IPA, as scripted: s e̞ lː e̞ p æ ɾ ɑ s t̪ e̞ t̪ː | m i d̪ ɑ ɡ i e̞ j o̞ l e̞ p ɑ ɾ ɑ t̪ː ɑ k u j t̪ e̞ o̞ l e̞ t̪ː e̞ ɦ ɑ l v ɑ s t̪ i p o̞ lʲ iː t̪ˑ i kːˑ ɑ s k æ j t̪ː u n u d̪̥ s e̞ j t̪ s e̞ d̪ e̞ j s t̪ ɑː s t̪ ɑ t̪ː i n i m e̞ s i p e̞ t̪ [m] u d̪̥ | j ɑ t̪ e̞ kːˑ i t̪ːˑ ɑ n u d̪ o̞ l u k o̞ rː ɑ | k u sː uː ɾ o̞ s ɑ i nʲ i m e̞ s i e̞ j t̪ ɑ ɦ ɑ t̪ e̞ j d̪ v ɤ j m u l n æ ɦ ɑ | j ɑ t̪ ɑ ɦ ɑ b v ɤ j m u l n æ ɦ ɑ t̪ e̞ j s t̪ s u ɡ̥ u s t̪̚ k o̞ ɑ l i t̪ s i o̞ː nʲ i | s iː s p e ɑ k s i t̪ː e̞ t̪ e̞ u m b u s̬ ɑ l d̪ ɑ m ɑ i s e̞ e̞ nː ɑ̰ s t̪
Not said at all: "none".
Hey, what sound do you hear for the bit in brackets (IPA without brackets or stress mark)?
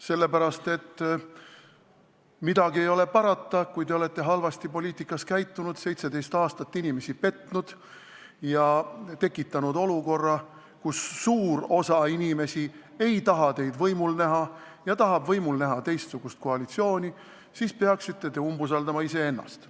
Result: n